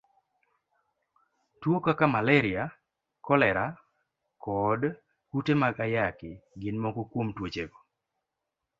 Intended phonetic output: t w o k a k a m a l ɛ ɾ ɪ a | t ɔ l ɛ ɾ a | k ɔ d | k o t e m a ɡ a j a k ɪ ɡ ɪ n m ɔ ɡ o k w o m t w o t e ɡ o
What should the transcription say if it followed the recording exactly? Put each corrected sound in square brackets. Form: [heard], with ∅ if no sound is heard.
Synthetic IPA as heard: t w o k a k a m a l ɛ ɾ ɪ a | [k] ɔ l ɛ ɾ a | k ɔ d | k [u] t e m a ɡ a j a k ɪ ɡ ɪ n m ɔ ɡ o k w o m t w o [t͡ʃ] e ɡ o